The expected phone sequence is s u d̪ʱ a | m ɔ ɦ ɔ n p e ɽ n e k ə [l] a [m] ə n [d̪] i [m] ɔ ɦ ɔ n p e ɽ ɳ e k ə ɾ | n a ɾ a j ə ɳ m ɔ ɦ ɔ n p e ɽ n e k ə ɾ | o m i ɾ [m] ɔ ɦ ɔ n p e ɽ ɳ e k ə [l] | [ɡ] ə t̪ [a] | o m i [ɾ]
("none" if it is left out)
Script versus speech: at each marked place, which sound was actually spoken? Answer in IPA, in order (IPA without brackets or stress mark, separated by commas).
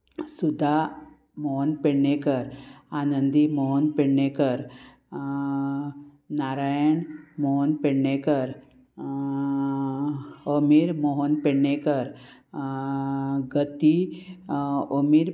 ɾ, n, d̪, m, m, ɾ, ɡ, i, ɾ